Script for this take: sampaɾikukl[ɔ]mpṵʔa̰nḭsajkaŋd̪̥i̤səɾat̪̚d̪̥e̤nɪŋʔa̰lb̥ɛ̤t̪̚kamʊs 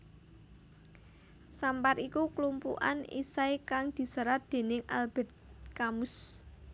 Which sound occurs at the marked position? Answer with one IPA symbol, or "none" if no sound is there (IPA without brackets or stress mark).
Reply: u